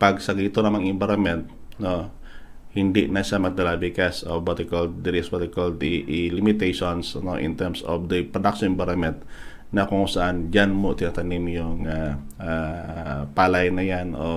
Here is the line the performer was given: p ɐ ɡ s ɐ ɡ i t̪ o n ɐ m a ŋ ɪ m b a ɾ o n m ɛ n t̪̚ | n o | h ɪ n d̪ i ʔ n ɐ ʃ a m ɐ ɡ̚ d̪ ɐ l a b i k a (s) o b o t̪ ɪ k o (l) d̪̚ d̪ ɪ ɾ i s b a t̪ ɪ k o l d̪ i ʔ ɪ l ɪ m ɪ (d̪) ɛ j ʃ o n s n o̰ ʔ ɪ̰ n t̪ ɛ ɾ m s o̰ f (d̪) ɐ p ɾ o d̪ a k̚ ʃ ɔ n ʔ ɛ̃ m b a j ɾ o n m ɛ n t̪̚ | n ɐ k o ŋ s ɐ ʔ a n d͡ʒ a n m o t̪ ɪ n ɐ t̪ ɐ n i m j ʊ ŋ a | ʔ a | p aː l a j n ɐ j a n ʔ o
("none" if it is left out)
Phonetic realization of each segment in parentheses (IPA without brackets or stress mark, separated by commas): s, l, t̪, d̪